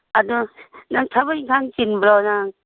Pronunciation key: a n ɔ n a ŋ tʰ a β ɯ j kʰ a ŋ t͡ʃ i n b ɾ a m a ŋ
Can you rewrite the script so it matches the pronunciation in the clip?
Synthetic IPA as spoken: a d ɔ n a ŋ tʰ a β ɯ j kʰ a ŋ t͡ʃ i n b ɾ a n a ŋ